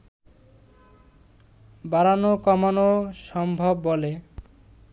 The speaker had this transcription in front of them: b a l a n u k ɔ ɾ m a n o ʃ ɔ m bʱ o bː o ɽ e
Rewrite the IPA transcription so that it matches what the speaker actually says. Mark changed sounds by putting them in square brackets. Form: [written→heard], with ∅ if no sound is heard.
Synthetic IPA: b a [l→ɾ] a n [u→o] k ɔ [ɾ→∅] m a n o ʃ ɔ m bʱ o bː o [ɽ→l] e